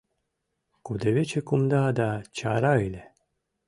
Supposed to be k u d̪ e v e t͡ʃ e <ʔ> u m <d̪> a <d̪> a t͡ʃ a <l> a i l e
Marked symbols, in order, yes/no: no, yes, yes, no

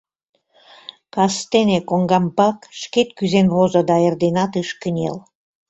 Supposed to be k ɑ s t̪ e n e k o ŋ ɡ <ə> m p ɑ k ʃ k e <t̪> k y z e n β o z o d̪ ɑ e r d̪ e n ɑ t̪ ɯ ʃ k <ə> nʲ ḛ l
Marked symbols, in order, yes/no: no, yes, yes

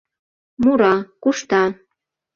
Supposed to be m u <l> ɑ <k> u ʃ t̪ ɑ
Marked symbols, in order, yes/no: no, yes

